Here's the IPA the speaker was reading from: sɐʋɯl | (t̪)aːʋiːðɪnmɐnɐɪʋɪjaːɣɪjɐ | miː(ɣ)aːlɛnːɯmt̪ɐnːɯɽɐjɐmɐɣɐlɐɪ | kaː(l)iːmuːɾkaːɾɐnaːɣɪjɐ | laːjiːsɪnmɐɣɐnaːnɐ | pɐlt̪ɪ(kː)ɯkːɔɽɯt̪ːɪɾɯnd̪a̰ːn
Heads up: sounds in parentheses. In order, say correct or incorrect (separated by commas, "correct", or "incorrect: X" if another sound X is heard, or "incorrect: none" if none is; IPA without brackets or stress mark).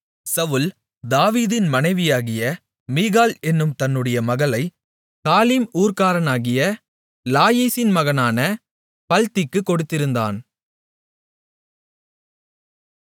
incorrect: d̪, correct, correct, correct